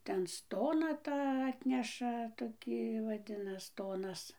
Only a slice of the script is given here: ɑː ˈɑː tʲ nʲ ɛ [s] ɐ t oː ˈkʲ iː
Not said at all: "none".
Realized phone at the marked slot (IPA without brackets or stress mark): ʃ